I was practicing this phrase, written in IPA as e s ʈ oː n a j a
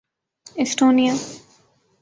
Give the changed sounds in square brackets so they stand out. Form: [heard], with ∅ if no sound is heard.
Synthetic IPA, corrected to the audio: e s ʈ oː n [i] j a